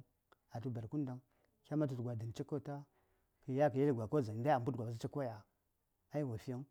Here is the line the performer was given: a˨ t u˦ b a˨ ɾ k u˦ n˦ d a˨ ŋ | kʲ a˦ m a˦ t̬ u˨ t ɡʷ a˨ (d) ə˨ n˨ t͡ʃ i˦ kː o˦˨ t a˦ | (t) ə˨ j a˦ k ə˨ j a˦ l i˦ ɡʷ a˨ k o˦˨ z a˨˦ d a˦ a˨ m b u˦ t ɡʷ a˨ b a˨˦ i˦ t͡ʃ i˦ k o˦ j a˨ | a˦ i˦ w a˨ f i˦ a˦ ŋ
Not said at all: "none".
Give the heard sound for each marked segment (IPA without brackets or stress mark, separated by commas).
d, k